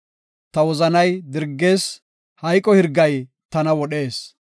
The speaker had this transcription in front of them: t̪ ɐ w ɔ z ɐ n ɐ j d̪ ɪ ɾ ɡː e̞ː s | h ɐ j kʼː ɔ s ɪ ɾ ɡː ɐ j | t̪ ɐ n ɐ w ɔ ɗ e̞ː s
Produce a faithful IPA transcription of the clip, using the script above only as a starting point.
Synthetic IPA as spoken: t̪ ɐ w ɔ z ɐ n ɐ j d̪ ɪ ɾ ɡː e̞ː s | h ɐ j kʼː ɔ h ɪ ɾ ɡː ɐ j | t̪ ɐ n ɐ w ɔ ɗ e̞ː s